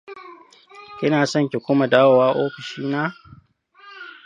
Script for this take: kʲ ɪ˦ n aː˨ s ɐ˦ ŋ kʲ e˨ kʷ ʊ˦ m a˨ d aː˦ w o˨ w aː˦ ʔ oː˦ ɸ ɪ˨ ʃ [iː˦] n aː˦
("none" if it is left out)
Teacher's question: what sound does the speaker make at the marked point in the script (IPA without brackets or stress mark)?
iː˦